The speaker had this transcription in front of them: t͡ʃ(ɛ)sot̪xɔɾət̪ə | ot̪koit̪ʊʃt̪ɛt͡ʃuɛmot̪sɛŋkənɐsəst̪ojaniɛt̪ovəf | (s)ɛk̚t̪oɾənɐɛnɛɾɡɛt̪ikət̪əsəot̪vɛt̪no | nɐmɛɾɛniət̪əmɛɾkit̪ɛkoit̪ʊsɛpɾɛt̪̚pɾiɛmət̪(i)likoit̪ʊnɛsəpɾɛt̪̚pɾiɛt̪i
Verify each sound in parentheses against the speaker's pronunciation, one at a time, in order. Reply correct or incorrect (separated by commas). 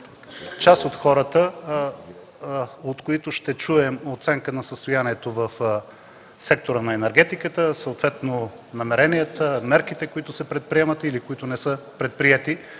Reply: incorrect, correct, correct